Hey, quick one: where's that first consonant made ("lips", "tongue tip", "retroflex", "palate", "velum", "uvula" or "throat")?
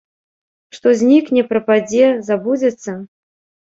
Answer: retroflex